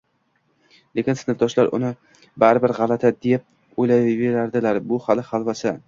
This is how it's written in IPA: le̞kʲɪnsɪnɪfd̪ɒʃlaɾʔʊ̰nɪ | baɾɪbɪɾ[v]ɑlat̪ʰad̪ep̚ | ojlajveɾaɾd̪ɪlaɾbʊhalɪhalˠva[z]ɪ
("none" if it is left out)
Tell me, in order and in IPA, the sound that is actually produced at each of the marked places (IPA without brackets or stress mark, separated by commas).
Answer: ʁ, s